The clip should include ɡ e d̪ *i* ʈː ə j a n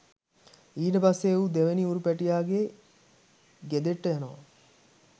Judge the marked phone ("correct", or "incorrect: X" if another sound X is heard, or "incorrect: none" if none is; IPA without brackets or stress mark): incorrect: e